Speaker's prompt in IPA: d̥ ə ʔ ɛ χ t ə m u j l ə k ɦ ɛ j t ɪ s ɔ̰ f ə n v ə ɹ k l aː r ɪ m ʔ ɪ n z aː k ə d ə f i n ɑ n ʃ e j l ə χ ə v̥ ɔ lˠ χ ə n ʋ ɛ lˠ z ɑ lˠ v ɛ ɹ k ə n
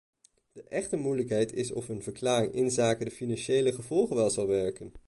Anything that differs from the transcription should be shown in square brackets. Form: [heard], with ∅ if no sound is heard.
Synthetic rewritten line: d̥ ə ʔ ɛ χ t ə m u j l ə k ɦ ɛ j t ɪ s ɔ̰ f ə n v ə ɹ k l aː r ɪ [ŋ] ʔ ɪ n z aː k ə d ə f i n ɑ n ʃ e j l ə χ ə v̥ ɔ lˠ χ ə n ʋ ɛ lˠ z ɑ lˠ [ʋ] ɛ ɹ k ə n